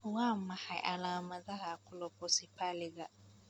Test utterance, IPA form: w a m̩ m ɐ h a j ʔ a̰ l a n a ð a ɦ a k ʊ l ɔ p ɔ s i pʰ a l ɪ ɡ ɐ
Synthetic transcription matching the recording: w a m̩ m a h a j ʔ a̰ l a m a z a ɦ a k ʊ l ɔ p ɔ s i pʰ a l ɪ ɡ a